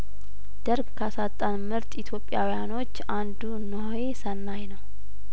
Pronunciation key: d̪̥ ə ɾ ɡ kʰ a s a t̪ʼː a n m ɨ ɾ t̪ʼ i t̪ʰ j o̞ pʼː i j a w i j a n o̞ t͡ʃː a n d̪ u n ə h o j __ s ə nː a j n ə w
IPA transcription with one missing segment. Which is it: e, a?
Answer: e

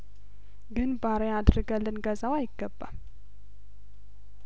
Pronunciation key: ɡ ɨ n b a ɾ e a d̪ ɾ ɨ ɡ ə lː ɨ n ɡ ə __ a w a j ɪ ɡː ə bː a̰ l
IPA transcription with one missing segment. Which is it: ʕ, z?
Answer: z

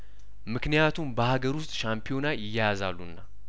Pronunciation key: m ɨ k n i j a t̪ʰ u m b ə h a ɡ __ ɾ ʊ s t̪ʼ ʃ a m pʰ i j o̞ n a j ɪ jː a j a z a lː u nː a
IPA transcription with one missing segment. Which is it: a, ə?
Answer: ə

